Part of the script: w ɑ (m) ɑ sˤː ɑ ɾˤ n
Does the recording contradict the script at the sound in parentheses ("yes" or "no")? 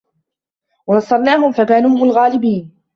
yes